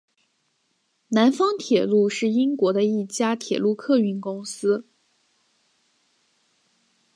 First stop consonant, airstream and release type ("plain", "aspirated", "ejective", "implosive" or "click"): aspirated